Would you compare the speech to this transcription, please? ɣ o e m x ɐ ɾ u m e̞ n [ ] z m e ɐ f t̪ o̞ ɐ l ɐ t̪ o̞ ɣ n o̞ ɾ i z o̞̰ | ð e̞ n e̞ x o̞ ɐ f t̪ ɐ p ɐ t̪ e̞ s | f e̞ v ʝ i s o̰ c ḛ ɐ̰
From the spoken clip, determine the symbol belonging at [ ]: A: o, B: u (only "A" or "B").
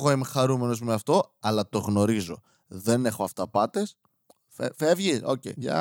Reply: A